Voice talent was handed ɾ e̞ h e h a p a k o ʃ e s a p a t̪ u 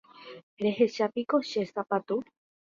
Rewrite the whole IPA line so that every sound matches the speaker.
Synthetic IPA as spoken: ɾ e̞ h e ʃ a p i k o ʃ e s a p a t̪ u